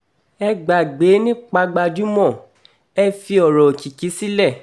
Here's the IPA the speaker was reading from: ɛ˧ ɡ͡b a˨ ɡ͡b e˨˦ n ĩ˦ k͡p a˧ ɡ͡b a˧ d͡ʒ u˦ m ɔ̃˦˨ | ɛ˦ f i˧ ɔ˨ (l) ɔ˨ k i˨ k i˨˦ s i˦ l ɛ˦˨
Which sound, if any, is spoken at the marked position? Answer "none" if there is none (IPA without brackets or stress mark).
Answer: ɾ